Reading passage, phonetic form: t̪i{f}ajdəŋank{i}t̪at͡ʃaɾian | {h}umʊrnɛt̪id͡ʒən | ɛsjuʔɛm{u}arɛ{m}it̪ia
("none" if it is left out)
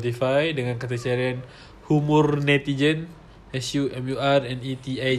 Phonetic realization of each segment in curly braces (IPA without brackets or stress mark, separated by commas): f, a, h, u, n